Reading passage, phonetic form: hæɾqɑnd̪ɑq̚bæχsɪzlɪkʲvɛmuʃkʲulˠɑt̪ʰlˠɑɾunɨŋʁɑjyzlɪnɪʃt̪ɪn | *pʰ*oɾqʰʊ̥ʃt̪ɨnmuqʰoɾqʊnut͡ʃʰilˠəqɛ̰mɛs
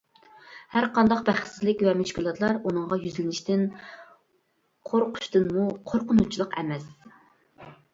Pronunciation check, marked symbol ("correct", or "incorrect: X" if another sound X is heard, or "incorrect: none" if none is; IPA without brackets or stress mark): incorrect: qʰ